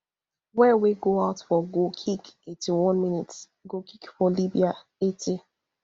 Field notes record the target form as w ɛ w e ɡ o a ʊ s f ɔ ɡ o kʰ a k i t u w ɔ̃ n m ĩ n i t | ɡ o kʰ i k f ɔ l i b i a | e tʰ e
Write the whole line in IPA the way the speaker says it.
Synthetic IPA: w ɛ w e ɡ o a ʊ t f ɔ ɡ o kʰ i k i t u w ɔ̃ n m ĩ n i t | ɡ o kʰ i k f ɔ l i b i a | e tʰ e